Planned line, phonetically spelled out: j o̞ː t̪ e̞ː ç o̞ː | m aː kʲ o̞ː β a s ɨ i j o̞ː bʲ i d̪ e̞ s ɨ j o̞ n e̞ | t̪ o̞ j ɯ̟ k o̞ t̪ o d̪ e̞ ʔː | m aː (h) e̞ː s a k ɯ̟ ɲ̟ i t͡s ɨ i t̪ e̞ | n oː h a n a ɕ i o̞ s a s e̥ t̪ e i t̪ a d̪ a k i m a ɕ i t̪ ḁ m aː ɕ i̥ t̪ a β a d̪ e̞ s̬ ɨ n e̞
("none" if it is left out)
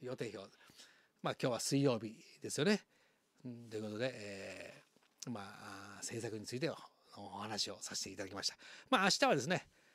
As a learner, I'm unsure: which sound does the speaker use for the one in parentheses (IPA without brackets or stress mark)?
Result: s